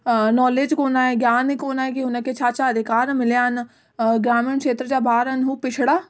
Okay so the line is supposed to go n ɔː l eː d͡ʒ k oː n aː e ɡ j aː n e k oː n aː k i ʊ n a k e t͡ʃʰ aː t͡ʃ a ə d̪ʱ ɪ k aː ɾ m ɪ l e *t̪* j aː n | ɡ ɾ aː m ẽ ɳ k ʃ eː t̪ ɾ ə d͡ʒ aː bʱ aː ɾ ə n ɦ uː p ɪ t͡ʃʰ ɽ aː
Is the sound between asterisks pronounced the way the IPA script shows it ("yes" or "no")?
no